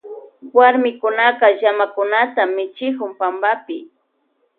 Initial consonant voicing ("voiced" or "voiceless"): voiced